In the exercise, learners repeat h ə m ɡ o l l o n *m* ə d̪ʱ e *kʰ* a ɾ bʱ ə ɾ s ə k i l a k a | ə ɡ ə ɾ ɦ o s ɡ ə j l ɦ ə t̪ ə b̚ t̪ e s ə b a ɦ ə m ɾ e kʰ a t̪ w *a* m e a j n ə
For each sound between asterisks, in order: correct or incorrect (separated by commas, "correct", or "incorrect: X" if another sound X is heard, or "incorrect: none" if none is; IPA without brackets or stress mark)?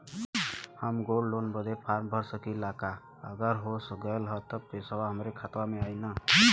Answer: incorrect: b, incorrect: pʰ, correct